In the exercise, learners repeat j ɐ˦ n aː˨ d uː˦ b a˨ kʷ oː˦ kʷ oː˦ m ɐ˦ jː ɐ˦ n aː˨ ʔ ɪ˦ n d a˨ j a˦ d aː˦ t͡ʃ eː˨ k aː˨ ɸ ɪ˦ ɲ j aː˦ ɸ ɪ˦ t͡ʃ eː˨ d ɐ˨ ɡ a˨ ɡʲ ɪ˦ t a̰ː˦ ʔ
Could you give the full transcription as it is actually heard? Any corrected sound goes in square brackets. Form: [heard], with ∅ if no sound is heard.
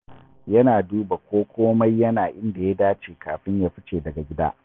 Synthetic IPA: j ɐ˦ n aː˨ d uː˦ b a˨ kʷ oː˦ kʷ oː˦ m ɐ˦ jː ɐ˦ n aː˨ ʔ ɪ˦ n d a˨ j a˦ d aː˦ t͡ʃ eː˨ k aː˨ ɸ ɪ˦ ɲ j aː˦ ɸ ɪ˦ t͡ʃ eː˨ d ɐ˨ ɡ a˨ ɡʲ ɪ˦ [d] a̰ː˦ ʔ